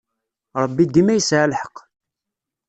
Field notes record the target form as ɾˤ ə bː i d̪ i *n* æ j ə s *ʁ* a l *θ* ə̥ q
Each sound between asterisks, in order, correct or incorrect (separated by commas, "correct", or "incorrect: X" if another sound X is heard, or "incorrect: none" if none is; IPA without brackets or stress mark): incorrect: m, incorrect: ʕ, incorrect: ħ